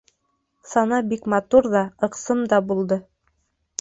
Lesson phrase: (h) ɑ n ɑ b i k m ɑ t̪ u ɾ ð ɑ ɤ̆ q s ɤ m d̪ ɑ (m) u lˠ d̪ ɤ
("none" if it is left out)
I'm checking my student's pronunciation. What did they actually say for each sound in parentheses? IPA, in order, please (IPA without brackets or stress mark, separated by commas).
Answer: s, b